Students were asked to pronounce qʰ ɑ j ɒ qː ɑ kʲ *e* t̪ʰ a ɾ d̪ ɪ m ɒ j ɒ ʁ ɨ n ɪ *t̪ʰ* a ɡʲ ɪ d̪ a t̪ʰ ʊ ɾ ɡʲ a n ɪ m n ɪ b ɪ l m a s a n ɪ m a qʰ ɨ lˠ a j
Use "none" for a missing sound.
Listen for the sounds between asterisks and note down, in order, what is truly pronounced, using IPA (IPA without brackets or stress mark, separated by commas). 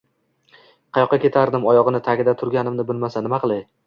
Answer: e, t̪ʰ